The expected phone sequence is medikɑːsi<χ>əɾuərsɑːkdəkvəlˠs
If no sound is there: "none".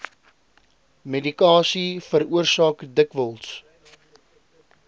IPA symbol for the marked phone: f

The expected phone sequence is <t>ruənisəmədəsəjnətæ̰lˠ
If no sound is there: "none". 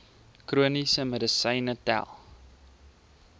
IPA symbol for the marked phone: k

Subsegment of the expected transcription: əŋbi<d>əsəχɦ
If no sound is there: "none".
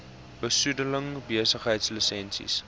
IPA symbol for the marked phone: none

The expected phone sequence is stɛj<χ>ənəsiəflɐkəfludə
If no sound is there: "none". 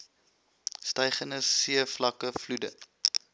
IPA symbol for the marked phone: χ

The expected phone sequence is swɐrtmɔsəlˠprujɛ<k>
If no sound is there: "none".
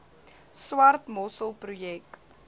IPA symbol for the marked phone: k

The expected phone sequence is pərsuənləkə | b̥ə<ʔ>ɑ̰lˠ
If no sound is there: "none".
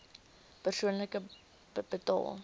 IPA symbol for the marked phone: t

